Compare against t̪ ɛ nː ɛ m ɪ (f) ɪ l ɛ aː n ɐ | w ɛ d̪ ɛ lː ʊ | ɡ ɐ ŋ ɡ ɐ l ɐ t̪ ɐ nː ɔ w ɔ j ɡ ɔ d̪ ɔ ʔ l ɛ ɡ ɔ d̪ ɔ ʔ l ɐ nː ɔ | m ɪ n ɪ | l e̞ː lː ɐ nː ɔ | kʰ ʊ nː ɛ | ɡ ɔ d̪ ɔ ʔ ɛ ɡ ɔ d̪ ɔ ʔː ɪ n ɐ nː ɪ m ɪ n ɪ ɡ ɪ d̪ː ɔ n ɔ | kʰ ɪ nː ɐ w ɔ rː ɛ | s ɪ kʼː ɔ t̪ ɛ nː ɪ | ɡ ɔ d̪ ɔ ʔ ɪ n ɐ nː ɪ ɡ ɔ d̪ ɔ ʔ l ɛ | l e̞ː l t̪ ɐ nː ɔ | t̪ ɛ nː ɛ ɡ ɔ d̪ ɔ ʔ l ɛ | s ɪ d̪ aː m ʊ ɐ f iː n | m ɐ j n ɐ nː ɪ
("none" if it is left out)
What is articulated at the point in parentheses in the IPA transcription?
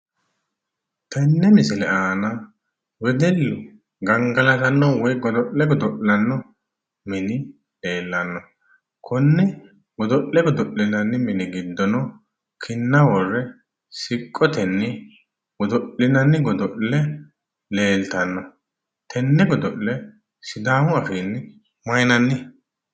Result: s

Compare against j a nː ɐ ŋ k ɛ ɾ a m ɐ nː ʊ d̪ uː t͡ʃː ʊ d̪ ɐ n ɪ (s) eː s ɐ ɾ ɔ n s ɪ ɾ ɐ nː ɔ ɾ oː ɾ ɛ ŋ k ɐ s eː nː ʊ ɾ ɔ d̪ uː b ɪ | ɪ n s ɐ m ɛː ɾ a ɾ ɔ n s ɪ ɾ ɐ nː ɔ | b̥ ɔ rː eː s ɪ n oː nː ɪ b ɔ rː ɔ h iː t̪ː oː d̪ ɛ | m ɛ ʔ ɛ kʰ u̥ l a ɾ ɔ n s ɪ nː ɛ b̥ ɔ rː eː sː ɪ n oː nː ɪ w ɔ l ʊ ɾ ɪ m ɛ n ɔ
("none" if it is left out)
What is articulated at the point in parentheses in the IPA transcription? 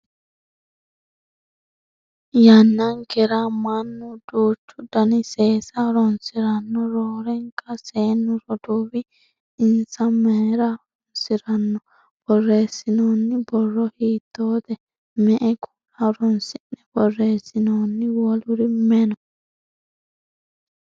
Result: s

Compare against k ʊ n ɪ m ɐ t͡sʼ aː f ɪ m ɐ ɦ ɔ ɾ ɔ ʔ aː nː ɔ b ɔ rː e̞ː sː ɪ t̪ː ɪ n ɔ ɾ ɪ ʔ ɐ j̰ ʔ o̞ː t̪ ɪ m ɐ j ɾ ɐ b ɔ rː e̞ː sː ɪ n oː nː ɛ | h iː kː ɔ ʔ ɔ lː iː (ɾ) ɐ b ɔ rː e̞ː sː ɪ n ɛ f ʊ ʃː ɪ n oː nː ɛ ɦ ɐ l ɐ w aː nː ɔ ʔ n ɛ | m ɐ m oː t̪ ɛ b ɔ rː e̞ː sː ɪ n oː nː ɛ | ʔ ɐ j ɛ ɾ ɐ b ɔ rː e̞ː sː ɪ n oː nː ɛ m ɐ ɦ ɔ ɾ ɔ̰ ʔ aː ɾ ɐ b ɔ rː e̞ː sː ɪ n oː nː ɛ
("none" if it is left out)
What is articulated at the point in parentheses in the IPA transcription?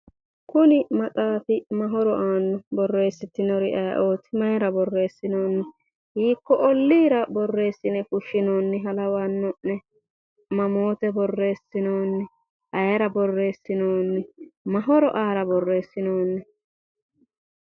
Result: ɾ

